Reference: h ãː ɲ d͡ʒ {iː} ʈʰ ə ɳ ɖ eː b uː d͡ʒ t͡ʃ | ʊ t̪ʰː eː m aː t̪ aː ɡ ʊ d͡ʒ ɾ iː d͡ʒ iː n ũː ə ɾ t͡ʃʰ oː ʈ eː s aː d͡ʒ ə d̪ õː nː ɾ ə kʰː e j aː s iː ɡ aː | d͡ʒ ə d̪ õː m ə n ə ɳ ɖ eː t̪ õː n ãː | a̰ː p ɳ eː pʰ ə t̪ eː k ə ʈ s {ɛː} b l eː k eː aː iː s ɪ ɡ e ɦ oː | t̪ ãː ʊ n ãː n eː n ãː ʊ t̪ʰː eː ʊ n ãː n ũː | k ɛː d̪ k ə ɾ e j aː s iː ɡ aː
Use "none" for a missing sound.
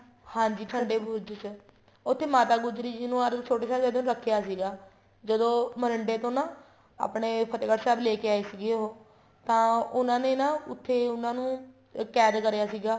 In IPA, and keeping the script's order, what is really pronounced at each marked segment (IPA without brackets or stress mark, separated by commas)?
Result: iː, ɛː